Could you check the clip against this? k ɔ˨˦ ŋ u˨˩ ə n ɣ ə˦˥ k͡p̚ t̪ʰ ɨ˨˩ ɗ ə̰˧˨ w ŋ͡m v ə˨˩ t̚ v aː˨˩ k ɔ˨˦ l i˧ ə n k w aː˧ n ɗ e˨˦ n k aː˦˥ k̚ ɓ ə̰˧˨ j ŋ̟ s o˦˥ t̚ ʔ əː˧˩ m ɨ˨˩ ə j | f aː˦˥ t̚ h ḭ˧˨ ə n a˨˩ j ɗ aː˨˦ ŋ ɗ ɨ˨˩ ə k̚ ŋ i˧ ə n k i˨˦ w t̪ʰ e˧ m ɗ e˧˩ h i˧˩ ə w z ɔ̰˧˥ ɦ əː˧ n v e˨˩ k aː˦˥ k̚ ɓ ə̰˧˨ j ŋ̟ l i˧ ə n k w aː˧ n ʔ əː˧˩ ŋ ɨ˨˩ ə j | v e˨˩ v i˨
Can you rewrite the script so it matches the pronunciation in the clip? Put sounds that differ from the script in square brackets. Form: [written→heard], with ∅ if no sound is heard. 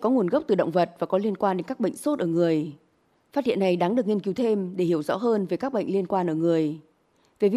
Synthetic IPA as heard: k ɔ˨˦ ŋ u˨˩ ə n ɣ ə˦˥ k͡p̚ [t̪ʰ→t̪] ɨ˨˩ ɗ ə̰˧˨ w ŋ͡m v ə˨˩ t̚ v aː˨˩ k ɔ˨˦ l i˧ ə n k w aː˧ n ɗ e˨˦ n k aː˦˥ k̚ ɓ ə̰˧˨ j ŋ̟ s o˦˥ t̚ ʔ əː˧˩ [m→ŋ] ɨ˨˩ ə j | f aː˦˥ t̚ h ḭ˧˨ ə n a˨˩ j ɗ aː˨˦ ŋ ɗ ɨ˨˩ ə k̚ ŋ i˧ ə n k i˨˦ w t̪ʰ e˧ m ɗ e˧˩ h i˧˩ ə w z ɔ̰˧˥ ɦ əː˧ n v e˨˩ k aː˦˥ k̚ ɓ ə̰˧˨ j ŋ̟ l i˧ ə n k w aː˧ n ʔ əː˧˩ ŋ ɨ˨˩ ə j | v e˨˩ v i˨